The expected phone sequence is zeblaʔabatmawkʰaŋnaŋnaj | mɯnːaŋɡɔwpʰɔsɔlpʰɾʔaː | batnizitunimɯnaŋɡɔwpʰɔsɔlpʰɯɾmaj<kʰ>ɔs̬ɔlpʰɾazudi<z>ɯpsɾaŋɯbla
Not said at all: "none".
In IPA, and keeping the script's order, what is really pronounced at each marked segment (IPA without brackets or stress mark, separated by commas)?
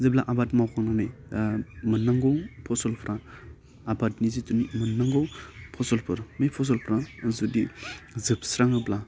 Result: pʰ, z